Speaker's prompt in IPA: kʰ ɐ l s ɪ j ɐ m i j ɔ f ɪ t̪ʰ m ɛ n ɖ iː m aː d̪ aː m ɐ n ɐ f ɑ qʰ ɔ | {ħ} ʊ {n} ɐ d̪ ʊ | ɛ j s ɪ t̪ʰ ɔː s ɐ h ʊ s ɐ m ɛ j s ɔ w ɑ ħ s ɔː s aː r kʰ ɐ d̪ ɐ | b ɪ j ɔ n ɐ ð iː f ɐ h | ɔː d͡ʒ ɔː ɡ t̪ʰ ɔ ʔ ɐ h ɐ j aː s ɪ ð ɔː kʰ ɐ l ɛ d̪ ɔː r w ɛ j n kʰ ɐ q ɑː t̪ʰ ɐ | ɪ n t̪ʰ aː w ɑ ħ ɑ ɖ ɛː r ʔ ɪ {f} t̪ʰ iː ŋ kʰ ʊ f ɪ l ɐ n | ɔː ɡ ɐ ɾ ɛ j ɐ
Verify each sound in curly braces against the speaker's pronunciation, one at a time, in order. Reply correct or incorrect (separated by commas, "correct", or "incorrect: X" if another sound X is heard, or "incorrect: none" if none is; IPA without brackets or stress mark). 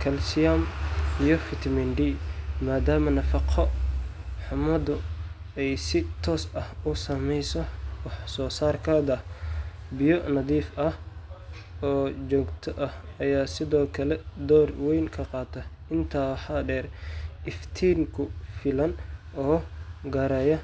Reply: correct, incorrect: m, correct